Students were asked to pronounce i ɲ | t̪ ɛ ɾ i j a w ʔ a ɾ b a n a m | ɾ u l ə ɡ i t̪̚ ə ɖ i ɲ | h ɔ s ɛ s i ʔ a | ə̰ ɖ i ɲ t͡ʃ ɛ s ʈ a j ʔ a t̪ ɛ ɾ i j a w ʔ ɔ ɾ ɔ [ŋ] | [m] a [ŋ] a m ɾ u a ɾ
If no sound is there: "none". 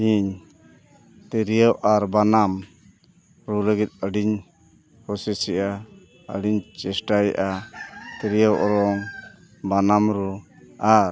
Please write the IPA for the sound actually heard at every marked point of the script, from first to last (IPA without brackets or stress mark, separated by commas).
ŋ, b, n